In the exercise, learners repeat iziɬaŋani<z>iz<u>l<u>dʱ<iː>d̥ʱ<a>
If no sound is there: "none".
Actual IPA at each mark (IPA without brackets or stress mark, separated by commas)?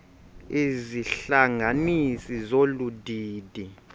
s, o, u, iː, i